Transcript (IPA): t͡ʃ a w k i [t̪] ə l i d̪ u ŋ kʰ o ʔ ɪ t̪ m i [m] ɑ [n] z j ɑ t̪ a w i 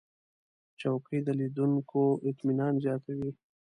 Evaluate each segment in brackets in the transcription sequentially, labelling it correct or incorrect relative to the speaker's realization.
incorrect, incorrect, correct

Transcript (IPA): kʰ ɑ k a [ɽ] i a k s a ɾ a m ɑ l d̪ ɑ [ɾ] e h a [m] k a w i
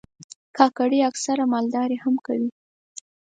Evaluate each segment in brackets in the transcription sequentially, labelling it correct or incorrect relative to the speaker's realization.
correct, correct, correct

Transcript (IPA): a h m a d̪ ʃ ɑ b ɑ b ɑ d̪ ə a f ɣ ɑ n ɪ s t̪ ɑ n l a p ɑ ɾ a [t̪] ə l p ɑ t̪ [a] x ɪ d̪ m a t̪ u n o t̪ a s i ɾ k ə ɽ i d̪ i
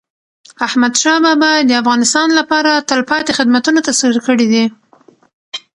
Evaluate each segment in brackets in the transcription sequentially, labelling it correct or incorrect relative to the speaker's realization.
correct, incorrect

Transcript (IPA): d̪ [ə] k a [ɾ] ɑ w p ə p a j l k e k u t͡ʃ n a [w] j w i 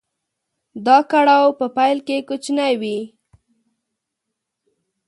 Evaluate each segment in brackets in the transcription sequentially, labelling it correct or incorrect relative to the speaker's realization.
incorrect, incorrect, incorrect

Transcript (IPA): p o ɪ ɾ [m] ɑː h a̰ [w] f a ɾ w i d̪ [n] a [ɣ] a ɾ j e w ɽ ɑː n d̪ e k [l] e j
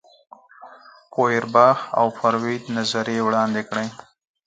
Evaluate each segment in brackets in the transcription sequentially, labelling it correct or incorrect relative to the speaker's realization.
incorrect, correct, correct, incorrect, incorrect

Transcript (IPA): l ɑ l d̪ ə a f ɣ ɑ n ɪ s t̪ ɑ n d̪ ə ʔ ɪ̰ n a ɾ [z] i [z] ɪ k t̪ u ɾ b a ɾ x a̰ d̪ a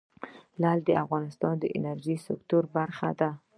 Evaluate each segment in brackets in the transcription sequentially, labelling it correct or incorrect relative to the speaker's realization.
incorrect, incorrect

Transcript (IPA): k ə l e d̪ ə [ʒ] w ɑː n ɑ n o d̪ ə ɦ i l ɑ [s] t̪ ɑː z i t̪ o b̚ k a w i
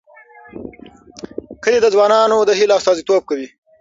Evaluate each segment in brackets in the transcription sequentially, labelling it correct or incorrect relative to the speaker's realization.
incorrect, correct

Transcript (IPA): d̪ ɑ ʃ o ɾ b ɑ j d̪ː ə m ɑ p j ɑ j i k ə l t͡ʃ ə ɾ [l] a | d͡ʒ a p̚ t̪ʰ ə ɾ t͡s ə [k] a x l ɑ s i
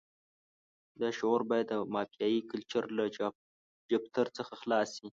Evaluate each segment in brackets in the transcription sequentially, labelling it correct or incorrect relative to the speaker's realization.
correct, incorrect

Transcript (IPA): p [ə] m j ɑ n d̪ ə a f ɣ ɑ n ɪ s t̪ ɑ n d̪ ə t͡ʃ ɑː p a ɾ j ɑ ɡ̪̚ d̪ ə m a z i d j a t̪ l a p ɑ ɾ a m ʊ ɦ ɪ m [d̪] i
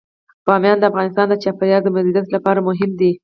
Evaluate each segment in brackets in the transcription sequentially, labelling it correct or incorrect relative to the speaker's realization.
incorrect, correct

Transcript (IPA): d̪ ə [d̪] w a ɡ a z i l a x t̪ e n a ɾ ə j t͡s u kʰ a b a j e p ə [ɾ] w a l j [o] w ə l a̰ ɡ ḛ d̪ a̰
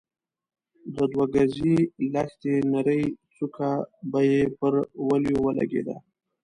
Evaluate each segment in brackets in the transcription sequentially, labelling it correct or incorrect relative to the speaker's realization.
correct, correct, correct

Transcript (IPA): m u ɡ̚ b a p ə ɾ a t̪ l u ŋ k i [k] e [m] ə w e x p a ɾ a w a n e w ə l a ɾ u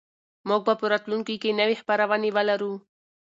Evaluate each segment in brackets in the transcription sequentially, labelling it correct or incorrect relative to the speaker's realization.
correct, incorrect

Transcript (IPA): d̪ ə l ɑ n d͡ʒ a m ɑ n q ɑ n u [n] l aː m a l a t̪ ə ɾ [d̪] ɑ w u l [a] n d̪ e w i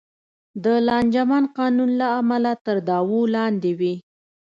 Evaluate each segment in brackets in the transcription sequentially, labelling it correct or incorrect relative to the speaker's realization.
correct, correct, incorrect

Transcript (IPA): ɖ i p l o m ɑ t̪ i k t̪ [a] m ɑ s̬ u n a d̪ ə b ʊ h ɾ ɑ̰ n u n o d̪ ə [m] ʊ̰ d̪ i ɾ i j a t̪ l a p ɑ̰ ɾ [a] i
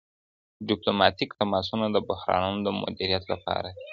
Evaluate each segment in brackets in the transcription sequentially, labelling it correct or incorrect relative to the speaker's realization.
correct, correct, correct

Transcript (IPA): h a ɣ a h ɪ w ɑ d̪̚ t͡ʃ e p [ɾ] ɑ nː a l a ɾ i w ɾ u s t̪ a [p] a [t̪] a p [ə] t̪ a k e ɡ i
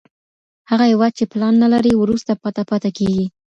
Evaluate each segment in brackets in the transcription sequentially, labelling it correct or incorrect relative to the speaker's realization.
incorrect, correct, correct, incorrect

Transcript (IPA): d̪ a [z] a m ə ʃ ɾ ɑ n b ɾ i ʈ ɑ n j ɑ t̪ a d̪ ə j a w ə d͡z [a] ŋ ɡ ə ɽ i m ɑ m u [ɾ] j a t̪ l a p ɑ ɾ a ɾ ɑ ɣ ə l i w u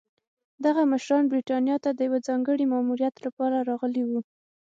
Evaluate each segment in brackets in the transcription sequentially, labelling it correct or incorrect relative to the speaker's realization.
incorrect, incorrect, correct

